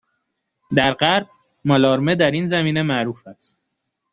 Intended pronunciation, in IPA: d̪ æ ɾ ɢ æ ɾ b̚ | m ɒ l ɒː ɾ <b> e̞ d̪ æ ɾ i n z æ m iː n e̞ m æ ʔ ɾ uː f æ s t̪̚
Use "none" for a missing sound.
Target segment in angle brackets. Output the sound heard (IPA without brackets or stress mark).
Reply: m